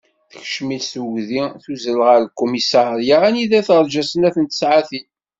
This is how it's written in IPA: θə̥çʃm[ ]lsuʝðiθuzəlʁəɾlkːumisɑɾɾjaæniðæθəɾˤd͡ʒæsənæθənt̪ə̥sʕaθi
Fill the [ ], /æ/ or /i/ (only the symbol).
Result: i